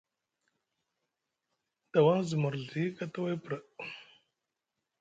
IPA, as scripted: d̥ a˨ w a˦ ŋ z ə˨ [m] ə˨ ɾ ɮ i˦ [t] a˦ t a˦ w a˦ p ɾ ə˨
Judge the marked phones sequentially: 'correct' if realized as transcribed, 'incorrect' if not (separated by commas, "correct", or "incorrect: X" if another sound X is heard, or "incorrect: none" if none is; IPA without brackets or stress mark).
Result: correct, incorrect: k